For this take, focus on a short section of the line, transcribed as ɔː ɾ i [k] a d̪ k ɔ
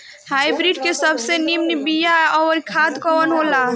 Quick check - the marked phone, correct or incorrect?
incorrect: kʰ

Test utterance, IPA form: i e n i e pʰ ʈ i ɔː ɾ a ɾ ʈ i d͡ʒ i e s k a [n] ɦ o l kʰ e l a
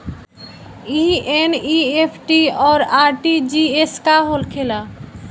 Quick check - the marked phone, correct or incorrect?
incorrect: none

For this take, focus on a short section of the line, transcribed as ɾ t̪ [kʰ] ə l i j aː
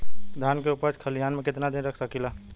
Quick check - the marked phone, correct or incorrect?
correct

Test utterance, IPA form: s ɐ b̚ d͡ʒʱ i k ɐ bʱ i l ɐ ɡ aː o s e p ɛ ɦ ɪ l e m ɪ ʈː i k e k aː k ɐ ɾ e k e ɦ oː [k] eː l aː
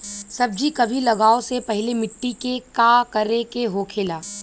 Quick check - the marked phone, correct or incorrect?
incorrect: kʰ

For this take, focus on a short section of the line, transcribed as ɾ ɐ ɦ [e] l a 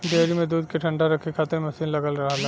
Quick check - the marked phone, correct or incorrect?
incorrect: a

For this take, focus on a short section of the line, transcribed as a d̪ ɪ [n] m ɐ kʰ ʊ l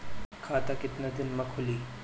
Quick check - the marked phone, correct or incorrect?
correct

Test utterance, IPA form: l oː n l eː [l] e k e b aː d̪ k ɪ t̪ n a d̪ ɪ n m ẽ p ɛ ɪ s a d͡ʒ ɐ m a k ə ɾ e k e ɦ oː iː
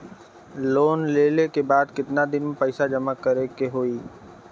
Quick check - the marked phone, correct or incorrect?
correct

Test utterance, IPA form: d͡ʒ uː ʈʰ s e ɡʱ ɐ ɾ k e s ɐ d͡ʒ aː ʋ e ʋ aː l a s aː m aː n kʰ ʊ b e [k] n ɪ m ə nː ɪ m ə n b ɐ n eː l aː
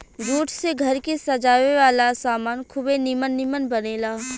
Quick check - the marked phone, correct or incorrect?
incorrect: none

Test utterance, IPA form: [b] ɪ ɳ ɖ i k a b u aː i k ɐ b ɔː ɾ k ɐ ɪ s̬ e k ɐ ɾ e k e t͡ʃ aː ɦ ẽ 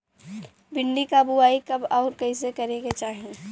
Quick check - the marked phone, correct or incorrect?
correct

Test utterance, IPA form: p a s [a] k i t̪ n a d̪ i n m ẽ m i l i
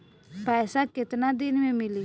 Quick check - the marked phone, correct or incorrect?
correct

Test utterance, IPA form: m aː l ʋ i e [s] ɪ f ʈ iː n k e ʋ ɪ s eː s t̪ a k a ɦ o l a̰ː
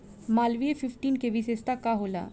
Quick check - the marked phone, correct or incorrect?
incorrect: f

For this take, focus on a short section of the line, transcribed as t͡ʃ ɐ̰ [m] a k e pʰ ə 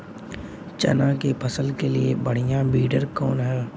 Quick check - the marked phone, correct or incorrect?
incorrect: n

